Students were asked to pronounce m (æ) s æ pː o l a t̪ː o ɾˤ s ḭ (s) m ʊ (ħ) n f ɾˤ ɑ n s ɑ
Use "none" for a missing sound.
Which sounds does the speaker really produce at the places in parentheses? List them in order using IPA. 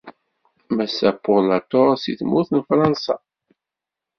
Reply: æ, θ, θ

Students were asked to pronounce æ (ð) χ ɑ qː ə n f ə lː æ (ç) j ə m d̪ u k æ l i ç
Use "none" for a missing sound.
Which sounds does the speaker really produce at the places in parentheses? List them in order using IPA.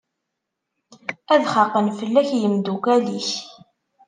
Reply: ð, ç

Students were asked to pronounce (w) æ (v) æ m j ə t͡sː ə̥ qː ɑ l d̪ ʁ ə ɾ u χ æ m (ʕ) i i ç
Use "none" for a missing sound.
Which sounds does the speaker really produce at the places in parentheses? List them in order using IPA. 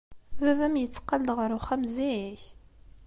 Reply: v, v, z

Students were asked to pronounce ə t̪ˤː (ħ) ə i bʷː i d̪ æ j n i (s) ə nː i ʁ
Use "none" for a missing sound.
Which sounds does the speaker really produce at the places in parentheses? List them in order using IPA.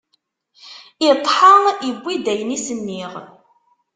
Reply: ħ, s

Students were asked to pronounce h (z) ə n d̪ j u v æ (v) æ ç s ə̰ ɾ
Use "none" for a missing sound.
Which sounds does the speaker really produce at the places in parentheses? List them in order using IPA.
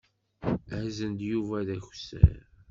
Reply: z, ð

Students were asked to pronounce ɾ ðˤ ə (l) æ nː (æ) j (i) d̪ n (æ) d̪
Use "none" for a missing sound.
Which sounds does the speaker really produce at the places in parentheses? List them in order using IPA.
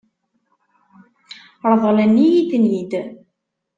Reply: l, i, i, i

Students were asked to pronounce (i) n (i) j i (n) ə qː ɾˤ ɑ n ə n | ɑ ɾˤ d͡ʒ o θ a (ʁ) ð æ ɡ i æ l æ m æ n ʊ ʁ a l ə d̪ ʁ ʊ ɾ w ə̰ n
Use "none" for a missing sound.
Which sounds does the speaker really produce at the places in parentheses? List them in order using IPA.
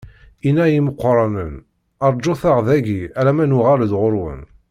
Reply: i, æ, m, ʁ

